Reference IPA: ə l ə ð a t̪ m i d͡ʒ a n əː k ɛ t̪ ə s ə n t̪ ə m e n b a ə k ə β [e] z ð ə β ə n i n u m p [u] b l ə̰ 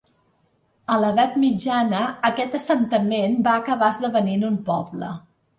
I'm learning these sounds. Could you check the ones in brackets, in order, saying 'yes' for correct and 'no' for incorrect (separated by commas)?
no, no